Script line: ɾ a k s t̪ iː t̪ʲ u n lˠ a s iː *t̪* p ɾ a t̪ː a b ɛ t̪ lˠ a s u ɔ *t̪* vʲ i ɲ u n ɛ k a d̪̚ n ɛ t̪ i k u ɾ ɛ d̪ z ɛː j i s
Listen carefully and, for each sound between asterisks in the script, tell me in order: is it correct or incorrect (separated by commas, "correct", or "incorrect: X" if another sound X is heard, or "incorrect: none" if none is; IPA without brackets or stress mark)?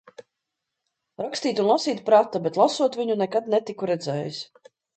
correct, correct